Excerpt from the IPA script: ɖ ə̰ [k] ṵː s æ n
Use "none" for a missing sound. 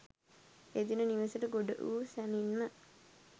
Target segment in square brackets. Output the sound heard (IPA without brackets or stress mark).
ʔ